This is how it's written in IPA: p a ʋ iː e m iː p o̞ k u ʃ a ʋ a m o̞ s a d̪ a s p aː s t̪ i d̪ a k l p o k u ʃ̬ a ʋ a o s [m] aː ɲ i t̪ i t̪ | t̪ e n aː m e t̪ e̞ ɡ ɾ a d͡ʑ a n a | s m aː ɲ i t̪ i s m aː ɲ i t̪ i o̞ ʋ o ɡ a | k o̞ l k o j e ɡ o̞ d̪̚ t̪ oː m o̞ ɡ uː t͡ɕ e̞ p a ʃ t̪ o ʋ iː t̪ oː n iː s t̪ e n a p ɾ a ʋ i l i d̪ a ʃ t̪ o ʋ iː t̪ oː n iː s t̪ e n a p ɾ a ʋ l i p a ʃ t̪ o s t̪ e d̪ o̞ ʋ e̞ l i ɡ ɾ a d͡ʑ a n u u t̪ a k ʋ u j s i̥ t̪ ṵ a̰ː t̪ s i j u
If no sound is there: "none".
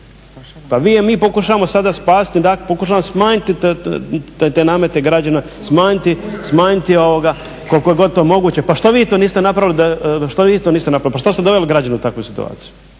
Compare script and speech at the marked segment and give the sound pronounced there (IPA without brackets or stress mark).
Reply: m